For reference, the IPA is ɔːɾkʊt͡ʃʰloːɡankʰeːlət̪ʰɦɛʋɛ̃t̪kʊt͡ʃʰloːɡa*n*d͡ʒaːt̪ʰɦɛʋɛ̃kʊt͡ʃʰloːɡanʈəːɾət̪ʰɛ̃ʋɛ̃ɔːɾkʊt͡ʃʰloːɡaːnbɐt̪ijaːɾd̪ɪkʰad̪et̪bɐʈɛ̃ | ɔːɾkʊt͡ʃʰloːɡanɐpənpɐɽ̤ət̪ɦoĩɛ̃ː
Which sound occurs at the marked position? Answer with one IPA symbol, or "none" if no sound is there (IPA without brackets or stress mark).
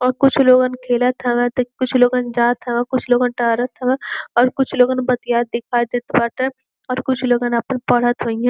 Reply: n